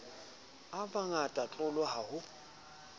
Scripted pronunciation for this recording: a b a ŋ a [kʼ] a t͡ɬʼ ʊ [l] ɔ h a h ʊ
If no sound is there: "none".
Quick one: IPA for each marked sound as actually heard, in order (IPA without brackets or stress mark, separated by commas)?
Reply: tʼ, l